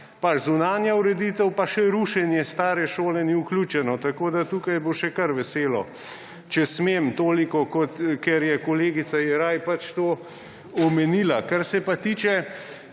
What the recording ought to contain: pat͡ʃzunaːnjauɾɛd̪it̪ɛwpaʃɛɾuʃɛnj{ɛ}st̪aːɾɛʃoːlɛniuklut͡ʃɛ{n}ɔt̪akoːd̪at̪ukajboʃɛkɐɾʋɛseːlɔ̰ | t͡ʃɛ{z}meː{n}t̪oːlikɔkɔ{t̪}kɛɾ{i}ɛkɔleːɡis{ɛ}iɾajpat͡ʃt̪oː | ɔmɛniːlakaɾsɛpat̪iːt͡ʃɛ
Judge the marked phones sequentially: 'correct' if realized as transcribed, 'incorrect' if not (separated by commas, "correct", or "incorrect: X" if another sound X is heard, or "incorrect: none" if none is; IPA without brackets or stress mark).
correct, correct, incorrect: s, incorrect: m, correct, incorrect: j, incorrect: a